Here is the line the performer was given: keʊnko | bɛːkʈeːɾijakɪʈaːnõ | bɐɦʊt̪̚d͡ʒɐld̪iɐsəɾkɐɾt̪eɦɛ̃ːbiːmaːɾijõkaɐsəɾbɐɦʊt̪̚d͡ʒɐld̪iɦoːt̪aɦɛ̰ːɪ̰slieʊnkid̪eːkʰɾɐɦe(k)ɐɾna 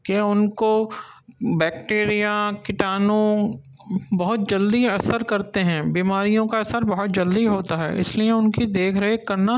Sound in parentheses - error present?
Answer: no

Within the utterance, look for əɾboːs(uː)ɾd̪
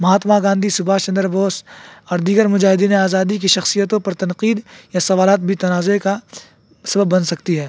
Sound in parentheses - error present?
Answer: yes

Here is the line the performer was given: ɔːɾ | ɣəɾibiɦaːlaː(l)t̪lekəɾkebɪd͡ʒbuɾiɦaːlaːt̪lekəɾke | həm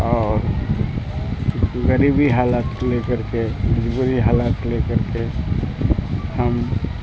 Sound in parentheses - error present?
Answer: yes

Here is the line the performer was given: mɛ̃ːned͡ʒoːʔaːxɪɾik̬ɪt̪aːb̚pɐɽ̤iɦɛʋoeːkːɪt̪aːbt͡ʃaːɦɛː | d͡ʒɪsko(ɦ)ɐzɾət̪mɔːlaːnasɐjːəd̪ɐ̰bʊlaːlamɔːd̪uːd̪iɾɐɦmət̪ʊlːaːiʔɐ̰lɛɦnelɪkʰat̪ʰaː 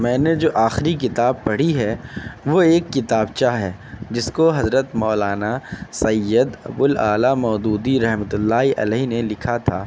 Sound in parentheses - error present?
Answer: no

